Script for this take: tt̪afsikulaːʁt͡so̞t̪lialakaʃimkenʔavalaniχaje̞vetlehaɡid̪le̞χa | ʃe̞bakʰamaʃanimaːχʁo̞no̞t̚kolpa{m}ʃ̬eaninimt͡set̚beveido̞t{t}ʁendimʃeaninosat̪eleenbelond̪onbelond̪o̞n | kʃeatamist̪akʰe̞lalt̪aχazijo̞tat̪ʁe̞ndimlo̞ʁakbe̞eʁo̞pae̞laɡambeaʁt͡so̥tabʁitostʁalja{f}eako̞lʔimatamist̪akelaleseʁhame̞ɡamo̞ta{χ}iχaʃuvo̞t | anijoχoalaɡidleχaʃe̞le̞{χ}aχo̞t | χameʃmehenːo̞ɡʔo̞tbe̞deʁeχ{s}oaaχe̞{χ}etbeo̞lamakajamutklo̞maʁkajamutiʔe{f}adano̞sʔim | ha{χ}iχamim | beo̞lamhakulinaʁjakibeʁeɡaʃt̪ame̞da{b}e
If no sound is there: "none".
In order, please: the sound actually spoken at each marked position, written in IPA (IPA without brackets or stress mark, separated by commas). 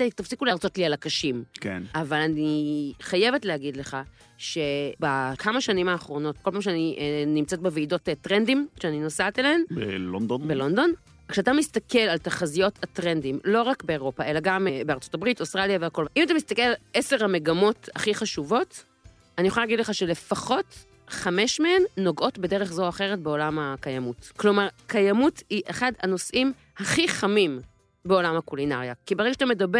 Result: m, t, v, χ, f, z, ʁ, χ, χ, b